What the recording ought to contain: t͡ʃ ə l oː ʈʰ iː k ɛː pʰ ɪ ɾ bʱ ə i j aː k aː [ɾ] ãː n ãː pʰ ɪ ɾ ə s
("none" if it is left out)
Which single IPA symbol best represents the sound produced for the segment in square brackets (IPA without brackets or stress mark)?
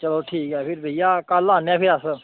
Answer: l